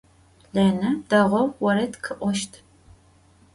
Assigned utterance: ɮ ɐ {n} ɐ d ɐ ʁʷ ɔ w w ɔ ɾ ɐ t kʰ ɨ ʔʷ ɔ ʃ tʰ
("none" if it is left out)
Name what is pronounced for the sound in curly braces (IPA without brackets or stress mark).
n